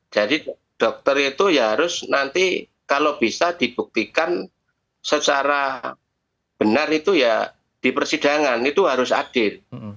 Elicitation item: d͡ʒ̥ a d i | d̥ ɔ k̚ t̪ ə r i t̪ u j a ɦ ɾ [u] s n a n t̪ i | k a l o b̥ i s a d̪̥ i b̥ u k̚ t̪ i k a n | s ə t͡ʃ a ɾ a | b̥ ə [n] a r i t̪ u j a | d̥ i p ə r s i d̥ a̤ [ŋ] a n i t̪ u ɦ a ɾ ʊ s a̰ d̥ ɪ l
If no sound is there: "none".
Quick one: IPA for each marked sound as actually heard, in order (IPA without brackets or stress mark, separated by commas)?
ʊ, n, ŋ